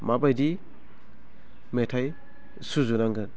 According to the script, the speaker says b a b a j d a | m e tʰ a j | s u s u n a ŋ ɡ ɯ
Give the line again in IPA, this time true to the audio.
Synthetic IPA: m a b a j d i | m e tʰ a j | s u z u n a ŋ ɡ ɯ